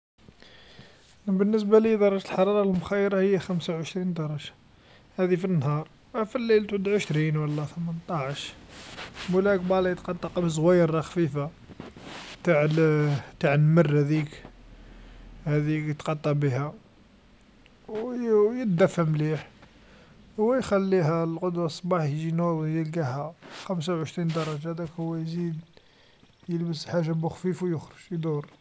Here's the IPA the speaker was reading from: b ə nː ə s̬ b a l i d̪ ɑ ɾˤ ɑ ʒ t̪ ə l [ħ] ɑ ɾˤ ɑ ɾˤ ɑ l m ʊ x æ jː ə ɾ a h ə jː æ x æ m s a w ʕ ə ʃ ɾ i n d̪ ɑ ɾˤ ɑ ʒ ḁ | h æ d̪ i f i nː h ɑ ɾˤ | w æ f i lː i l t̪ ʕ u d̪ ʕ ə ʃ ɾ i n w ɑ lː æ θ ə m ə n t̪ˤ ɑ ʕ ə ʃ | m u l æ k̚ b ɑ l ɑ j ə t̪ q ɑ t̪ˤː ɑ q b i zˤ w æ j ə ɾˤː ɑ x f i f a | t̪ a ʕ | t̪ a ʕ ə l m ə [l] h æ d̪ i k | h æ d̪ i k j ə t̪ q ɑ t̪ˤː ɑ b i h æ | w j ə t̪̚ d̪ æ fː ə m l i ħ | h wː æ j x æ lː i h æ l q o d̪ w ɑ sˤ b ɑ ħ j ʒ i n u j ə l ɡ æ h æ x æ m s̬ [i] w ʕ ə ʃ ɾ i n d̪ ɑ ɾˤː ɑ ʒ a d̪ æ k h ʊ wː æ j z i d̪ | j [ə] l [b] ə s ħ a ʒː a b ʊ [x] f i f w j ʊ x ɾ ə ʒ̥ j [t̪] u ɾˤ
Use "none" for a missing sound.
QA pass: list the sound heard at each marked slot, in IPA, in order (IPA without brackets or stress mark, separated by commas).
ħ, r, a, ə, b, x, d̪